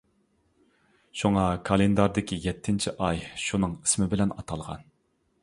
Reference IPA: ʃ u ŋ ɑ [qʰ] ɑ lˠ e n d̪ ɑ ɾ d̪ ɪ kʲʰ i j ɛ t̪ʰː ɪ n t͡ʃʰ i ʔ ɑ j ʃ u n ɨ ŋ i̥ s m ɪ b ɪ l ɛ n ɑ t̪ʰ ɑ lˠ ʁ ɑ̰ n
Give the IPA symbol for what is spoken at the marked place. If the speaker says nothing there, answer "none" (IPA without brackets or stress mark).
kʰ